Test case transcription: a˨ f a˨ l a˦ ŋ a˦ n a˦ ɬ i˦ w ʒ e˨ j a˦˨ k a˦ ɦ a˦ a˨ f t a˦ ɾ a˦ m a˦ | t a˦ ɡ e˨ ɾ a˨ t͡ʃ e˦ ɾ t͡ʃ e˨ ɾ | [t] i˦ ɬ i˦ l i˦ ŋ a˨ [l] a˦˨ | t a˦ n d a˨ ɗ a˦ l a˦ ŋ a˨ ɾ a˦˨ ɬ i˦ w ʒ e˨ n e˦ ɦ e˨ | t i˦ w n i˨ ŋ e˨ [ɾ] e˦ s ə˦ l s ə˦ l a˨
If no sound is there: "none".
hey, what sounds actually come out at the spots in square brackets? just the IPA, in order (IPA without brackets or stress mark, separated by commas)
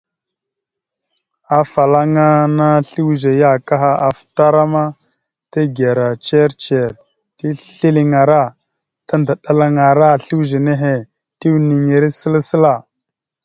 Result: t, ɾ, ɾ